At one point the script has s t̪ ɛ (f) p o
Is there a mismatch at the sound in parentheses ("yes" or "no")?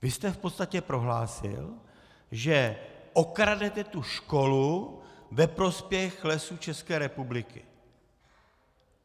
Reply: no